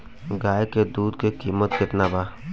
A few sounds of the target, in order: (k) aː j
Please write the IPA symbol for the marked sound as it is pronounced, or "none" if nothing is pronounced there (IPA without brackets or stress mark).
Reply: ɡ